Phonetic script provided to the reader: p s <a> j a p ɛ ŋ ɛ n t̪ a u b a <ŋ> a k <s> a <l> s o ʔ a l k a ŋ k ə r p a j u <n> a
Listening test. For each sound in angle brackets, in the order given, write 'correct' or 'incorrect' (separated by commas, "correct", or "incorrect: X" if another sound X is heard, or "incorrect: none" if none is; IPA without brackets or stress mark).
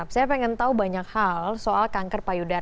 correct, incorrect: ɲ, incorrect: h, correct, incorrect: d